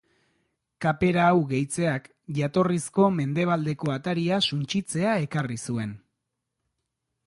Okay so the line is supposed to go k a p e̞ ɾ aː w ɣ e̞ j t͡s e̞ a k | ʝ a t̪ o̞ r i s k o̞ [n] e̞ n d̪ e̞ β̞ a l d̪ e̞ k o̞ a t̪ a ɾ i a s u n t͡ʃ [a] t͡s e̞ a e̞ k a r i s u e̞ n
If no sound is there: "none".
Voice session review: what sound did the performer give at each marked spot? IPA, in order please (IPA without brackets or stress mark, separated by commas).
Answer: m, i